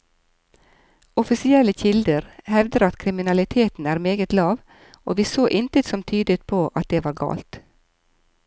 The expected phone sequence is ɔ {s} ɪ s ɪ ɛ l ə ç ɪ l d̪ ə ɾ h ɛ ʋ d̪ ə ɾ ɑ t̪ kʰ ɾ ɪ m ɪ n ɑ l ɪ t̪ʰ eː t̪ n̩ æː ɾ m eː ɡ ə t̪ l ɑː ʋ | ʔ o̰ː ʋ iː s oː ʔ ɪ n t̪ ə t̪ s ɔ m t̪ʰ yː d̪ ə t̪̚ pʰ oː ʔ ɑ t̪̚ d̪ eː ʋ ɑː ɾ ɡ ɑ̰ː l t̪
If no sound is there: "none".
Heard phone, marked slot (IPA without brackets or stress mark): f